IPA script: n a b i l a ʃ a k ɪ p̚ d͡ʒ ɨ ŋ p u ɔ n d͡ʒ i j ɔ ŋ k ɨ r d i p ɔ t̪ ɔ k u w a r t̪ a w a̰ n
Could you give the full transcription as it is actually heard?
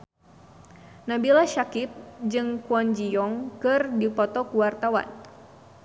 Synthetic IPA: n a b i l a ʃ a k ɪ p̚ d͡ʒ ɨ ŋ k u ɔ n d͡ʒ i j ɔ ŋ k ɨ r d i p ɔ t̪ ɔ k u w a r t̪ a w a̰ n

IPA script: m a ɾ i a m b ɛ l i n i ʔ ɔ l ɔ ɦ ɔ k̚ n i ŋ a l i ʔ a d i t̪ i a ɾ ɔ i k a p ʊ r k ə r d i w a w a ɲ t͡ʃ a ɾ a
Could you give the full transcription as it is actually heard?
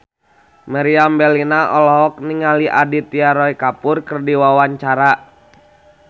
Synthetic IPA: m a ɾ i a m b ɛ l i n a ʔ ɔ l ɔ ɦ ɔ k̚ n i ŋ a l i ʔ a d i t̪ i a ɾ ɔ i k a p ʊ r k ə r d i w a w a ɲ t͡ʃ a ɾ a

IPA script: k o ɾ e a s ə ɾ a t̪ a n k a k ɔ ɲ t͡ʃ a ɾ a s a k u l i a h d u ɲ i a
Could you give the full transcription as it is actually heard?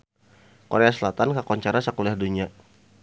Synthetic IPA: k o ɾ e a s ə l a t̪ a n k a k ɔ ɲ t͡ʃ a ɾ a s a k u l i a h d u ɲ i a

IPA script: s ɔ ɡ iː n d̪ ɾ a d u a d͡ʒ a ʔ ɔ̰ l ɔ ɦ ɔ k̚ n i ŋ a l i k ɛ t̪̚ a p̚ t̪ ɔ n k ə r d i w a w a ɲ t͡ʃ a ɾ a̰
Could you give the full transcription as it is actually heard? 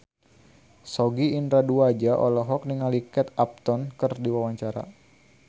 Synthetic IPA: s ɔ ɡ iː n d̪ ɾ a d u a d͡ʒ a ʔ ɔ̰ l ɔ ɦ ɔ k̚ n i ŋ a l i k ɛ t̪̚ a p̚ t̪ ɔ n k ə r d i w a w a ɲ t͡ʃ a ɾ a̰

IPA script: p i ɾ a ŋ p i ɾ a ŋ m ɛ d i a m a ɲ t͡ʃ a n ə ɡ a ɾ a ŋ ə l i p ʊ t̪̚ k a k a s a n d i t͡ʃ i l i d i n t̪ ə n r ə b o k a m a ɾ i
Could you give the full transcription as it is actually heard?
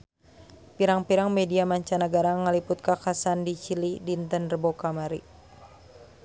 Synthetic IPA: p i ɾ a ŋ p i ɾ a ŋ m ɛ d i a m a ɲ t͡ʃ a n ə ɡ a ɾ a ŋ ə l i p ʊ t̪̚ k a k a s a n d i t͡ʃ i l i d i n t̪ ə n r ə b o k a m a ɾ i

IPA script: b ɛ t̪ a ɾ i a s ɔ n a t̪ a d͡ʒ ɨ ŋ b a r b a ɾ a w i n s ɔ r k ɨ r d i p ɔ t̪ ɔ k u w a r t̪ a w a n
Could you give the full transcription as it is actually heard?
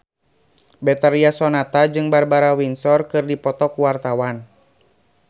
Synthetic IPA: b ɛ t̪ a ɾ i a s ɔ n a t̪ a d͡ʒ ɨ ŋ b a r b a ɾ a w i n s ɔ r k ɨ r d i p ɔ t̪ ɔ k u w a r t̪ a w a n

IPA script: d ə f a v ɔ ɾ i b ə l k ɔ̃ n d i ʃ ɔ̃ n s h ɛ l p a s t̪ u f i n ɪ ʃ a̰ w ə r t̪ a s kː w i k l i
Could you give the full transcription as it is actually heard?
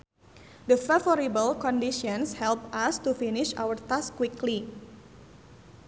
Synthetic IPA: d ə f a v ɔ ɾ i b ə l k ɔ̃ n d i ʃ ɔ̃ n s h ɛ l p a s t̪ u f i n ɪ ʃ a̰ w ə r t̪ a s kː w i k l i

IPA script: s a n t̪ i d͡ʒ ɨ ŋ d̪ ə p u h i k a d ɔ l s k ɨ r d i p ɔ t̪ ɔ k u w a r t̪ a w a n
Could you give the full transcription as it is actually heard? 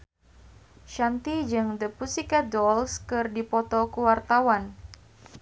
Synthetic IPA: ʃ a n t̪ i d͡ʒ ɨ ŋ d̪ ə p u s i k a d ɔ l s k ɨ r d i p ɔ t̪ ɔ k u w a r t̪ a w a n

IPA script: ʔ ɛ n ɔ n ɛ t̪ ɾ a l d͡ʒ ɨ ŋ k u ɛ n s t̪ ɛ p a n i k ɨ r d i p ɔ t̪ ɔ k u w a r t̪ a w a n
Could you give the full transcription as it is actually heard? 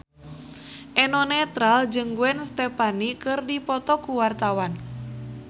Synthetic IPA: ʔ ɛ n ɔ n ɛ t̪ ɾ a l d͡ʒ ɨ ŋ ɡ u ɛ n s t̪ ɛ p a n i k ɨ r d i p ɔ t̪ ɔ k u w a r t̪ a w a n

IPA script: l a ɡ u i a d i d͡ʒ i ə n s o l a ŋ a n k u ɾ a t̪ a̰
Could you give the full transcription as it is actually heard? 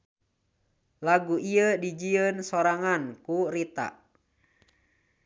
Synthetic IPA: l a ɡ u i ə d i d͡ʒ i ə n s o ɾ a ŋ a n k u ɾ i t̪ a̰

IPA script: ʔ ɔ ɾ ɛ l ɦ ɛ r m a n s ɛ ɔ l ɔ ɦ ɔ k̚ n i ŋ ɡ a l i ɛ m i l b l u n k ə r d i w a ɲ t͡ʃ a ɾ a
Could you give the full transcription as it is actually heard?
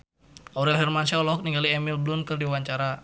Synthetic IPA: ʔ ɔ ɾ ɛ l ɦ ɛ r m a n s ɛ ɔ l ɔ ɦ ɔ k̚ n i ŋ ɡ a l i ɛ m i l b l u n k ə r d i w a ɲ t͡ʃ a ɾ a

